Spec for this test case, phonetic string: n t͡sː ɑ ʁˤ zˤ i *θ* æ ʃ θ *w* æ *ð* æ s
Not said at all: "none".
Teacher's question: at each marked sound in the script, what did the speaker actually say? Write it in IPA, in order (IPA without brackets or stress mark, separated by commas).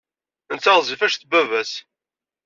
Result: f, b, v